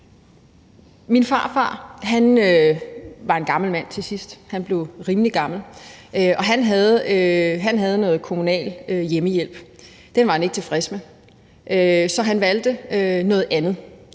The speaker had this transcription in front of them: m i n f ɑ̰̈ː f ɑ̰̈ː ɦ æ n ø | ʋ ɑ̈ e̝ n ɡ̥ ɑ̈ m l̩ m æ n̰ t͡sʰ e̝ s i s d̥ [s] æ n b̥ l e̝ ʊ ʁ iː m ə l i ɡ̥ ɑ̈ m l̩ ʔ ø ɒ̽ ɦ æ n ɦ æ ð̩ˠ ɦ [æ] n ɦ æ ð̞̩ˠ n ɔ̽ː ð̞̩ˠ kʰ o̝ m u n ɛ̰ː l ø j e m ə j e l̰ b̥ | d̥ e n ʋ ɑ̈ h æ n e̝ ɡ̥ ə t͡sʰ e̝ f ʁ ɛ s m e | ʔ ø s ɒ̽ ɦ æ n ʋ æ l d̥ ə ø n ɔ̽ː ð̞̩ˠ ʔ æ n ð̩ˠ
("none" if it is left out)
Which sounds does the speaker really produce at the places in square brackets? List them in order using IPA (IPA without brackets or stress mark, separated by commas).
h, æ